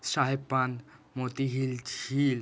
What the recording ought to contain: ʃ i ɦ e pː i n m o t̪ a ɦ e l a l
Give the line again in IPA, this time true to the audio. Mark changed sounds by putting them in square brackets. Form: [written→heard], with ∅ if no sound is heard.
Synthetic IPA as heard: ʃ [i→a] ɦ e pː [i→a] n m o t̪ [a→i] ɦ [e→i] l [a→i] l